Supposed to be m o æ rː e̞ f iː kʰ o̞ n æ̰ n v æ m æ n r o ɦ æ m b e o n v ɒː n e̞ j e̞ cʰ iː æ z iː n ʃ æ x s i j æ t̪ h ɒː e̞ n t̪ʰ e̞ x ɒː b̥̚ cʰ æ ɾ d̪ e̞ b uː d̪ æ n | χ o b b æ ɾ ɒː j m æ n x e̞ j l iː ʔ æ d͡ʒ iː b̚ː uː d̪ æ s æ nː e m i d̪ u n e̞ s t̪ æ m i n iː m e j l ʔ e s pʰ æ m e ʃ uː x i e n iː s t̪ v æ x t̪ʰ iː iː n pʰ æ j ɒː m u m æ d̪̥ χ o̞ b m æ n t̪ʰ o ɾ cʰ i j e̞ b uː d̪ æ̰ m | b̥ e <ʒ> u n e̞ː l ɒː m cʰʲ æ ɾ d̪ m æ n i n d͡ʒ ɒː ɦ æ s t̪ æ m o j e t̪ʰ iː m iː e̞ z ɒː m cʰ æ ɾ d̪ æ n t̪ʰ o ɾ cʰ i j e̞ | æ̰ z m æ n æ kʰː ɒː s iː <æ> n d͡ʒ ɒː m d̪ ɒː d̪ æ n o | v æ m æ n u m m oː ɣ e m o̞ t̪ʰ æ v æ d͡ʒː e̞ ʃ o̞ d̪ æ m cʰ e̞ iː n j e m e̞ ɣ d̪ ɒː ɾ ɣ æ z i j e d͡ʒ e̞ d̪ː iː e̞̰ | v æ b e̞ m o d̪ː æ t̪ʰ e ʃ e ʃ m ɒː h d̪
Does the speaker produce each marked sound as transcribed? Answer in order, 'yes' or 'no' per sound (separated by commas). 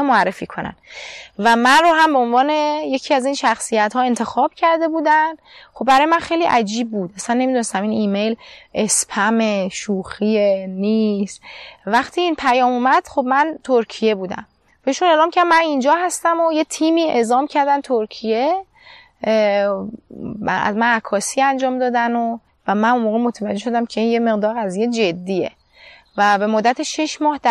no, yes